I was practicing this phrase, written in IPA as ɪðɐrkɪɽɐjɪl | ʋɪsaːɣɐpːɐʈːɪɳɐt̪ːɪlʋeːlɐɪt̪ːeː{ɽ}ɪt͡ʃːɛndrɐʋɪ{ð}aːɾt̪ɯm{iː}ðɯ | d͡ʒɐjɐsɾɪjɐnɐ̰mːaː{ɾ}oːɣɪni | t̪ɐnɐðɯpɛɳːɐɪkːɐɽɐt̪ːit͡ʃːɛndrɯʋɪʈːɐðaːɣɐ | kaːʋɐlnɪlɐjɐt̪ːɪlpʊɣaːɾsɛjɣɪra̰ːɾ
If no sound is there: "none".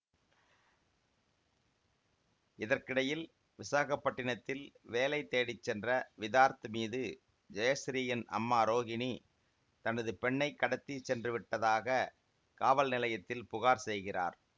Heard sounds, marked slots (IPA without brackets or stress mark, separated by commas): ɽ, ð, iː, ɾ